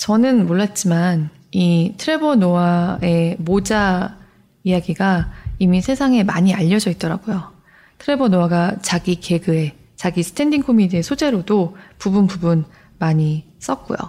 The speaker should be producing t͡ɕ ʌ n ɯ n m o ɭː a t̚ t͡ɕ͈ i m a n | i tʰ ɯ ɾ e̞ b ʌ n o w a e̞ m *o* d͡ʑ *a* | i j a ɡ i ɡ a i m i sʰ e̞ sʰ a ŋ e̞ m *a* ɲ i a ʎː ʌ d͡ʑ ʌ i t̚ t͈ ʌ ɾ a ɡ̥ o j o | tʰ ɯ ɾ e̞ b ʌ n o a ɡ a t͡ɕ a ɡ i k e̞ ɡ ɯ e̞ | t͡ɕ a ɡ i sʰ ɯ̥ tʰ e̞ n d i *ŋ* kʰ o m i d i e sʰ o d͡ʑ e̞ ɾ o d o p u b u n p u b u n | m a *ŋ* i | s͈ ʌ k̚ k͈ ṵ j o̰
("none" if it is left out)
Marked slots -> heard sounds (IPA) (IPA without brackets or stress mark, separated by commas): o, a, a, ŋ, ɲ